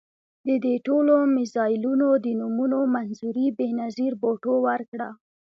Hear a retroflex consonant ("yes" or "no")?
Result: yes